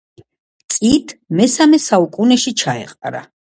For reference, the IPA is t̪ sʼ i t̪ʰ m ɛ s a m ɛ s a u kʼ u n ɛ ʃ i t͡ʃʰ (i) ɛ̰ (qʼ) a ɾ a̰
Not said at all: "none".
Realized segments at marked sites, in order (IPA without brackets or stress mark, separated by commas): a, qʼ